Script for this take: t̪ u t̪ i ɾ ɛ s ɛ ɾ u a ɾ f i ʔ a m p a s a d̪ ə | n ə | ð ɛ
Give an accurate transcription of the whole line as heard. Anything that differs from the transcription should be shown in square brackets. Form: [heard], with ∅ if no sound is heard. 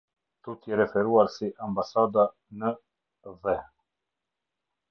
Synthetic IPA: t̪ u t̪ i ɾ ɛ [f] ɛ ɾ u a ɾ [s] i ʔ a m [b] a s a d̪ [a] | n ə | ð ɛ